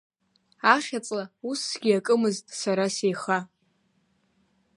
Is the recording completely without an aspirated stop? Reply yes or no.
yes